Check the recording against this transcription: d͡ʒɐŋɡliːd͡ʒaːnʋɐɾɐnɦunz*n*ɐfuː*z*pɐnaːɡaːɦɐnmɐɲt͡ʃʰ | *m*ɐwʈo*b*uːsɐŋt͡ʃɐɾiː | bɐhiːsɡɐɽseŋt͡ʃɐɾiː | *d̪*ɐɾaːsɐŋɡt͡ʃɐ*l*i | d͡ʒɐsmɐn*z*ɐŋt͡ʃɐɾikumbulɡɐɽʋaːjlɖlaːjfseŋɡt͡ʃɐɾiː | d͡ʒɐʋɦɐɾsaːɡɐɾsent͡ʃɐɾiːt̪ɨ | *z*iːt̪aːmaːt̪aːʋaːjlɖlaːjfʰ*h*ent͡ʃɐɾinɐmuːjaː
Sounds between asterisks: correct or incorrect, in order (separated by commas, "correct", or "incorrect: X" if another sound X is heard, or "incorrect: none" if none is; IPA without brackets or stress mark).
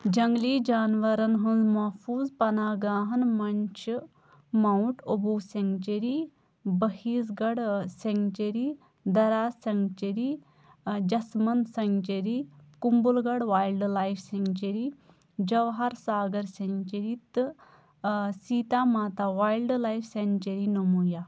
incorrect: m, correct, correct, correct, correct, incorrect: ɾ, incorrect: s, incorrect: s, incorrect: s